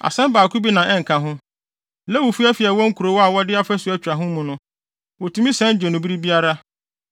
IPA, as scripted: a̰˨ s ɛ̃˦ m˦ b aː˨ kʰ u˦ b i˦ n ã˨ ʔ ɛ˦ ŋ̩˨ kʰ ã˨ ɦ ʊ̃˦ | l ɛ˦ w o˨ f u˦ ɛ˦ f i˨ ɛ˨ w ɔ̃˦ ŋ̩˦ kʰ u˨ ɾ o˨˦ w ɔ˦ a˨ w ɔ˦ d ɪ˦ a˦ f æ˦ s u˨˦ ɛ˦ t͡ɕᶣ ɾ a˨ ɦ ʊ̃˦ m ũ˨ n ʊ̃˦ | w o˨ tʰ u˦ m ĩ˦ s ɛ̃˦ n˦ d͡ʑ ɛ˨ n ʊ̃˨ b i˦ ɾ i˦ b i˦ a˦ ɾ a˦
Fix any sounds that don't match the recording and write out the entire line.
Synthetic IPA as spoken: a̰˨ s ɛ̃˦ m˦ b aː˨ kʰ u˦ b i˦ n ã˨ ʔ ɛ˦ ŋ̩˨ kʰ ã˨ ɦ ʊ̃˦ | l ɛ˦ w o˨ f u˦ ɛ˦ f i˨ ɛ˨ w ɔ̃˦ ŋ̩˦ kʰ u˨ ɾ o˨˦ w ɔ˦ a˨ w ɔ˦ d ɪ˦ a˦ f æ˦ s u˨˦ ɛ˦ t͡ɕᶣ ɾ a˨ ɦ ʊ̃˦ m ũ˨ n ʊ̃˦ | w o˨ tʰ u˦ m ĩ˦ s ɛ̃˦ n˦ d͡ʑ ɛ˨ n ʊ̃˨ b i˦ ɾ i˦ b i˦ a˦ ɾ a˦